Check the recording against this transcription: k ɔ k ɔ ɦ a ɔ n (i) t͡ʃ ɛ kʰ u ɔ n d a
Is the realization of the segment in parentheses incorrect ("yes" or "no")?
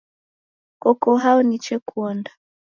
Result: no